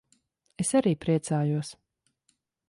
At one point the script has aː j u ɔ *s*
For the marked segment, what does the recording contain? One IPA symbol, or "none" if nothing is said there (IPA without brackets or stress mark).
s